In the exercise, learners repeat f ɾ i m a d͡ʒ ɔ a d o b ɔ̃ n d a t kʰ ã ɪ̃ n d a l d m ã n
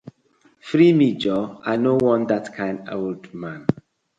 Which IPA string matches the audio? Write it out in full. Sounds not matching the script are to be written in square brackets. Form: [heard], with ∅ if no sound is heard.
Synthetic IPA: f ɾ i m [i] d͡ʒ ɔ a [n] o [w] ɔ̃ n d a t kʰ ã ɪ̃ n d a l d m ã n